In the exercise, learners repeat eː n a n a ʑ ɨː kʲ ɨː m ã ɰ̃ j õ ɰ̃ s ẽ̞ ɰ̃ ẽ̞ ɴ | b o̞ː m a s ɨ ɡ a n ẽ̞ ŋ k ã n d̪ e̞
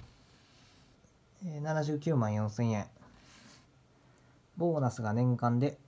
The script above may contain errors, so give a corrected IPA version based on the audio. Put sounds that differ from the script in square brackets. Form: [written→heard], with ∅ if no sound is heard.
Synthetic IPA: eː n a n a ʑ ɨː kʲ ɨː m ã ɰ̃ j õ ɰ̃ s ẽ̞ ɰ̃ ẽ̞ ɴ | b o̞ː [m→n] a s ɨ ɡ a n ẽ̞ ŋ k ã n d̪ e̞